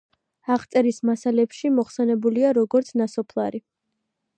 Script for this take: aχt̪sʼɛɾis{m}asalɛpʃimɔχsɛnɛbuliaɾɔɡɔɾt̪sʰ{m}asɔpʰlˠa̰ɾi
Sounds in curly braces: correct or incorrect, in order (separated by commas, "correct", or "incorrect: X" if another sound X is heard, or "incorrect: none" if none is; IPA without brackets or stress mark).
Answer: correct, incorrect: n